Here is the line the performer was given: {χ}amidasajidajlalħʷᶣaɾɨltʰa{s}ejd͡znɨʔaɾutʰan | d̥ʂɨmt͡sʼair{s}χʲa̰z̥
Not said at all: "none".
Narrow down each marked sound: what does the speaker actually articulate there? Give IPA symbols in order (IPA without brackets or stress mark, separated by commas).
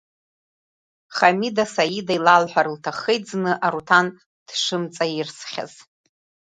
χ, χ, s